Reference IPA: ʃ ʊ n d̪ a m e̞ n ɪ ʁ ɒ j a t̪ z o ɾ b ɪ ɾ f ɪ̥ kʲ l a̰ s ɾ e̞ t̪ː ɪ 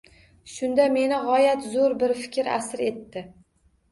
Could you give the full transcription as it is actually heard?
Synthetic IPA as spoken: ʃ ʊ n d̪ a m e̞ n ɪ ʁ ɒ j a t̪ z o ɾ b ɪ ɾ f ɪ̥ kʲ ɾ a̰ s ɾ e̞ t̪ː ɪ